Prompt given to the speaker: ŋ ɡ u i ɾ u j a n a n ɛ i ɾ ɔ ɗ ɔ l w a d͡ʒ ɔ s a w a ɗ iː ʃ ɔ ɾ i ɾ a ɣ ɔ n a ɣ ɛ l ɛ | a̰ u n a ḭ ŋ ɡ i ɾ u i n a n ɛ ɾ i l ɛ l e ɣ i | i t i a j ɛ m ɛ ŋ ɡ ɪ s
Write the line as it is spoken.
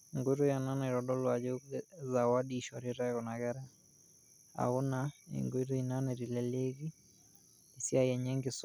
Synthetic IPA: ŋ ɡ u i ɾ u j a n a n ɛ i ɾ ɔ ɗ ɔ l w a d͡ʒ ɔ z a w a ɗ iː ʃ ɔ ɾ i ɾ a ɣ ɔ n a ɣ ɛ ɾ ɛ | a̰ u n a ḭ ŋ ɡ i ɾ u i n a n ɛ ɾ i l ɛ l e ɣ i | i s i a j ɛ ɲ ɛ ŋ ɡ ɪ s